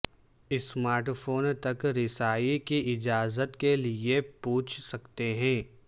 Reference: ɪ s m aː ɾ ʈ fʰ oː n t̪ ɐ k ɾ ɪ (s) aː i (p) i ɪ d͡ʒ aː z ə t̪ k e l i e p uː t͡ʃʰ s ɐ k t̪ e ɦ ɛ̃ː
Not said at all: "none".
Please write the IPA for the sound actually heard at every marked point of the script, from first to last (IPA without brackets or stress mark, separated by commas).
s, k